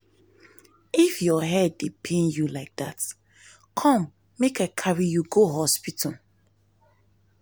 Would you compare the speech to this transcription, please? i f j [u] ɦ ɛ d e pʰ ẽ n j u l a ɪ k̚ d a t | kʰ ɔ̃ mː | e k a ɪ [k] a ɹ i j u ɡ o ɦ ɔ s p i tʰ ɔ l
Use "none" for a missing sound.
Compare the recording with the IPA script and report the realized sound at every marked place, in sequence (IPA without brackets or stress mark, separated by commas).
ɔ, kʰ